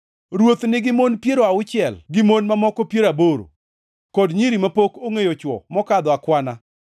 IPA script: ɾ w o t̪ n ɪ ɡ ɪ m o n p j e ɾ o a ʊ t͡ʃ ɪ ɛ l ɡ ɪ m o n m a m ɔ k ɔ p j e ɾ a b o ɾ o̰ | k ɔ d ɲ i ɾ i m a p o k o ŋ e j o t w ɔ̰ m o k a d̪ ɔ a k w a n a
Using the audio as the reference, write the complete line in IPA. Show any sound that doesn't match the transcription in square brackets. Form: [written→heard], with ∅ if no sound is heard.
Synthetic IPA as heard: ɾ w o t̪ n ɪ ɡ ɪ m o n p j e ɾ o a ʊ t͡ʃ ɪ ɛ l ɡ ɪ m o n m a m ɔ k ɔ p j e ɾ a b o ɾ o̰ | k ɔ d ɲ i ɾ i m a p o k o ŋ e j o [t→t͡ʃ] w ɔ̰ m [o→ɔ] k a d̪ ɔ a k w a n a